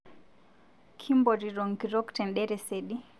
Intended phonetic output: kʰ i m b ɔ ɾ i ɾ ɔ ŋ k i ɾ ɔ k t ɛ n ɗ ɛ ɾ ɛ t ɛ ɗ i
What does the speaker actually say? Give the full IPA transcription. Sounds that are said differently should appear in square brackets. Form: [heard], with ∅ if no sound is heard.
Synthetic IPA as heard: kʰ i m b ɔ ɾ i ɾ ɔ ŋ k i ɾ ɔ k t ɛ n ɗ ɛ ɾ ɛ [s] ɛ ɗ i